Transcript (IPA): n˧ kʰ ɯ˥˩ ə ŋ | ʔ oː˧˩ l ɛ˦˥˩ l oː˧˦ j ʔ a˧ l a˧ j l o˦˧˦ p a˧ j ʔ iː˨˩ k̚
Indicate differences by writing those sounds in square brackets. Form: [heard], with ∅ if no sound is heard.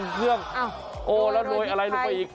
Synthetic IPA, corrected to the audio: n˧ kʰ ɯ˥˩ ə ŋ | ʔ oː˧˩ l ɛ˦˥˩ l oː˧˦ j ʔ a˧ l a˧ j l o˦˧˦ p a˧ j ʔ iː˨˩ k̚